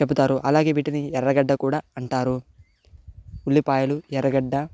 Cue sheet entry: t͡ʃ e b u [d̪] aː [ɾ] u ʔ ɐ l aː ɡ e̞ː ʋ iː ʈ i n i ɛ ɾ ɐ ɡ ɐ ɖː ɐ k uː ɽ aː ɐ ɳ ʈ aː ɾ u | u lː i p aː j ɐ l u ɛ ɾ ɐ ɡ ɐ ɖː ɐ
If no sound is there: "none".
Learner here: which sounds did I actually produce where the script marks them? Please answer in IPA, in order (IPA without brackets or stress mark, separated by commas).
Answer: t̪, ɾ